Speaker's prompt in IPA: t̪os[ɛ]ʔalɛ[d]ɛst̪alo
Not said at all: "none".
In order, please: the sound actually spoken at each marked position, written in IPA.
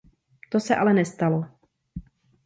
ɛ, n

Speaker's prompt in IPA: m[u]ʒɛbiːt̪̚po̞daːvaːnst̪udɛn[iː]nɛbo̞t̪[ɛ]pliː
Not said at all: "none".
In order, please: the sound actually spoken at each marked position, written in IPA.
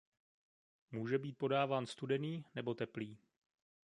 uː, iː, ɛ

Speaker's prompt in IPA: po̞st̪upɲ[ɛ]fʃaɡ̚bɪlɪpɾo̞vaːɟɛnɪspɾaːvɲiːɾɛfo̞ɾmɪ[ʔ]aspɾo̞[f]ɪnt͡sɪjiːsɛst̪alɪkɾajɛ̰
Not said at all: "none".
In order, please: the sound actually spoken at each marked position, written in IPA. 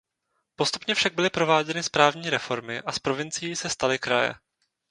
ɛ, ʔ, v

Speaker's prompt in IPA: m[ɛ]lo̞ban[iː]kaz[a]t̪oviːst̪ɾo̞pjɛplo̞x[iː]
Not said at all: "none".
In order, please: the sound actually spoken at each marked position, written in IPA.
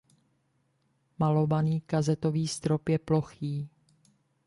a, iː, ɛ, iː

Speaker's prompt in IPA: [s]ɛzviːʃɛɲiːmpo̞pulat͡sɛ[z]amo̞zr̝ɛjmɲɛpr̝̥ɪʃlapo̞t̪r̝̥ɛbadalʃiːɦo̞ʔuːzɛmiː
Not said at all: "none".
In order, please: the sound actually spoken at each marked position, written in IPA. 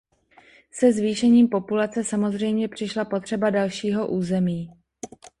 s, s

